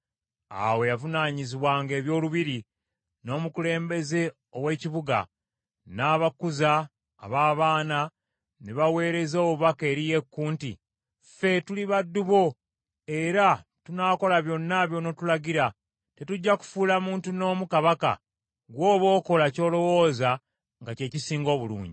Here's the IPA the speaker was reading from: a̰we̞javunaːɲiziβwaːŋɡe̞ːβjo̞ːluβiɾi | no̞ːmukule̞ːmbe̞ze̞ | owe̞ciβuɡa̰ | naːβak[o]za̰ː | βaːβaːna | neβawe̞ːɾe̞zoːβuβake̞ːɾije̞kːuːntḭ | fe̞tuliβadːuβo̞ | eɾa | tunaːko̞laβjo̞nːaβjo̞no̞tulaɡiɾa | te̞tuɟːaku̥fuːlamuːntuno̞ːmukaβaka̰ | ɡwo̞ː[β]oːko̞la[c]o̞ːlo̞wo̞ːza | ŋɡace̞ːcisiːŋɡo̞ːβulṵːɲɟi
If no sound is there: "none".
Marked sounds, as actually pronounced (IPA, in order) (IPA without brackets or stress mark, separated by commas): u, β, c